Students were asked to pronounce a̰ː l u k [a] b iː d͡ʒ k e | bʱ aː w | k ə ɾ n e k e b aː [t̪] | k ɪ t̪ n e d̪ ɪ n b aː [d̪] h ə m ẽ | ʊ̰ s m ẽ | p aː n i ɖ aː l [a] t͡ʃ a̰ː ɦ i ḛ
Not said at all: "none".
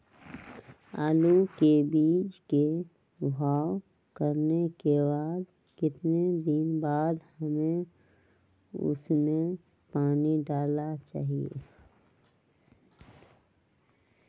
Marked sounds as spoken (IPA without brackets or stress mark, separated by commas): e, d̪, d̪, a